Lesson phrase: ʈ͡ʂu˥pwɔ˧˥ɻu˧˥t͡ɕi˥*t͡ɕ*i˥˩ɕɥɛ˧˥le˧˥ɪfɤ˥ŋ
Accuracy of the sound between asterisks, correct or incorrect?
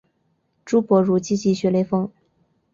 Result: correct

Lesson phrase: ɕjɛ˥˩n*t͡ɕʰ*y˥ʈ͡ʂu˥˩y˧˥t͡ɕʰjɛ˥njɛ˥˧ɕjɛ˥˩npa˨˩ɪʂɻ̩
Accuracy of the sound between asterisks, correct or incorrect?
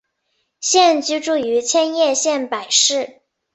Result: incorrect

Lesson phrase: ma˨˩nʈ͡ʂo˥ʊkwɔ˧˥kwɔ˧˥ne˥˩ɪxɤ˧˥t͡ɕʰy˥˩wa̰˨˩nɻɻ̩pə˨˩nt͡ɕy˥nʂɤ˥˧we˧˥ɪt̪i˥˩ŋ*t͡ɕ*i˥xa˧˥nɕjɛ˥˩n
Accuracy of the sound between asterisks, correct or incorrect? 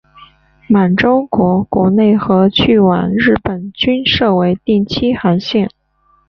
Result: incorrect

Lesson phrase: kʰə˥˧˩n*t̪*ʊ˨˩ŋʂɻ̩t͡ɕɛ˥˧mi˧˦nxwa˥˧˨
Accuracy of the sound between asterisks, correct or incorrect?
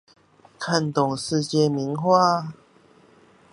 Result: correct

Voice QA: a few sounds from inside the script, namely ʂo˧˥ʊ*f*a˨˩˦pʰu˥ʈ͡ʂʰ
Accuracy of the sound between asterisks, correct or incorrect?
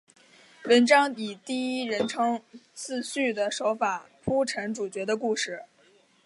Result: correct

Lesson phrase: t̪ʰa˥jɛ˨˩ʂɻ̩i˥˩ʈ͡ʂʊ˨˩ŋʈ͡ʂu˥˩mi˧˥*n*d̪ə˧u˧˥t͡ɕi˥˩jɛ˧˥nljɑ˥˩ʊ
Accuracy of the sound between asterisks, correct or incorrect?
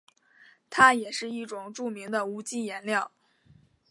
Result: incorrect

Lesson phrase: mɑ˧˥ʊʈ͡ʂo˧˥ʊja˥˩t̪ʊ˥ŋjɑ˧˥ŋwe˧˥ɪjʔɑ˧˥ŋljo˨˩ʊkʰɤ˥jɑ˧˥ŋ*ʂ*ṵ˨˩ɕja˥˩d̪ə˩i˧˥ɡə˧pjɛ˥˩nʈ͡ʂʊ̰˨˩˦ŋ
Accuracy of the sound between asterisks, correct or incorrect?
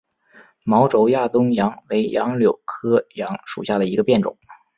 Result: correct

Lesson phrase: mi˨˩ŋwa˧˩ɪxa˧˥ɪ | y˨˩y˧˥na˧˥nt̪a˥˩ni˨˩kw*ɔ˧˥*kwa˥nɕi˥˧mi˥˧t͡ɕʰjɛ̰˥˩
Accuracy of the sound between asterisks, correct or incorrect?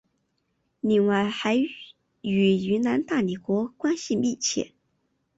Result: correct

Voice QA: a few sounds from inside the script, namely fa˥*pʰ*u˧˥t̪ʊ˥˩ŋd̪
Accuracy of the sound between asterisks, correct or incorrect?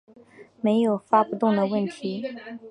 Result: incorrect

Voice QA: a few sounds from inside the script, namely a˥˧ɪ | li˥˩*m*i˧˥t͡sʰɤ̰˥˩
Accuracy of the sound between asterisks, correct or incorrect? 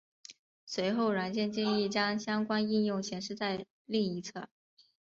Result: incorrect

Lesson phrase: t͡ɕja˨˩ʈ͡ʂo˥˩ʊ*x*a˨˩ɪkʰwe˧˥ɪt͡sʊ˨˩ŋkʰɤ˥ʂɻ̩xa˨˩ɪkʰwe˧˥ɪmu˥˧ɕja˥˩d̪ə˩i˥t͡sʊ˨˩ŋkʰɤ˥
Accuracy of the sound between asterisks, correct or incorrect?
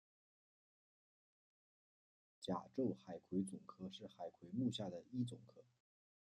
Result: correct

